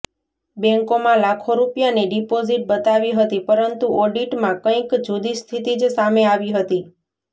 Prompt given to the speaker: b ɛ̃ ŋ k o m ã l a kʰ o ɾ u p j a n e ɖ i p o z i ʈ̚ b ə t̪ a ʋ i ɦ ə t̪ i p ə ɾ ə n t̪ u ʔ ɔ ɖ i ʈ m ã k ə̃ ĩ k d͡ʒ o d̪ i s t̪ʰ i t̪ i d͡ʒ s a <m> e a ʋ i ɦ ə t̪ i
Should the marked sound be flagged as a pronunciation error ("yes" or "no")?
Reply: no